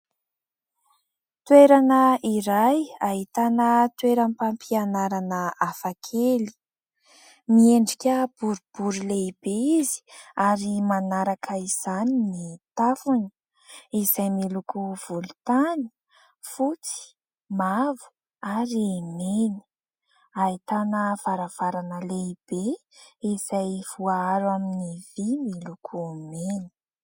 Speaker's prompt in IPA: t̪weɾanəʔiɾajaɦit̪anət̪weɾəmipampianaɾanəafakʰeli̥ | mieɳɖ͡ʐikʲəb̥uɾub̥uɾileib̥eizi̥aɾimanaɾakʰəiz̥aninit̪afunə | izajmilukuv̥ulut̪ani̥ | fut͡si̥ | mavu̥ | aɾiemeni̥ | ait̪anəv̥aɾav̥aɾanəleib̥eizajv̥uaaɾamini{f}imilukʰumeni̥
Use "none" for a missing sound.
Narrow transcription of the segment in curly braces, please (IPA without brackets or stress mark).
v